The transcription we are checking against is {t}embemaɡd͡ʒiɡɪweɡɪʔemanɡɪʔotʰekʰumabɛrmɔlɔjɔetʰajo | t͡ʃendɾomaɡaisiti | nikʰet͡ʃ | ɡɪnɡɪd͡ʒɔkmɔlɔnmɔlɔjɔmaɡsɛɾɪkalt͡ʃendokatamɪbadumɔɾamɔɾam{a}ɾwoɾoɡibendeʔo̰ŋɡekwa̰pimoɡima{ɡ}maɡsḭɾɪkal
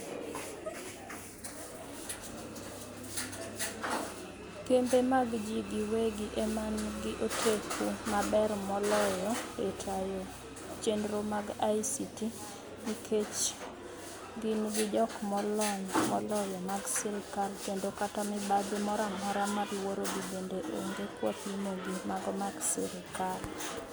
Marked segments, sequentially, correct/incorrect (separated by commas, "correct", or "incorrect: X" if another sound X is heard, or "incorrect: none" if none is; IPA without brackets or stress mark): incorrect: k, correct, correct